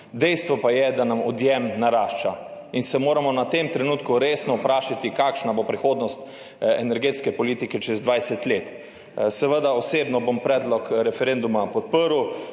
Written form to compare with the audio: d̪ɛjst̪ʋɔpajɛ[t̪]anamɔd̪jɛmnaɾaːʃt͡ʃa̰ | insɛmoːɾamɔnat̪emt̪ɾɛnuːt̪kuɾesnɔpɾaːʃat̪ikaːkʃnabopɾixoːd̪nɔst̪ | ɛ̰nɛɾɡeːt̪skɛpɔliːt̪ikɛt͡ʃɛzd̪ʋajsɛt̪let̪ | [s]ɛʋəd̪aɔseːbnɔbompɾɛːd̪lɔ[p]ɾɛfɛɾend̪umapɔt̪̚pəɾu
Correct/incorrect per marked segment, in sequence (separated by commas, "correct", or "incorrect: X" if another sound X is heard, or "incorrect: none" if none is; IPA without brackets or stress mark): incorrect: d̪, correct, incorrect: k